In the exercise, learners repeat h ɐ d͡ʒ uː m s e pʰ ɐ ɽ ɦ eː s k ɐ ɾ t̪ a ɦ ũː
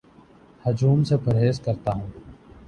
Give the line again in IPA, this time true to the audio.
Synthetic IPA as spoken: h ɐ d͡ʒ uː m s e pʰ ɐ ɾ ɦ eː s k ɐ ɾ t̪ a ɦ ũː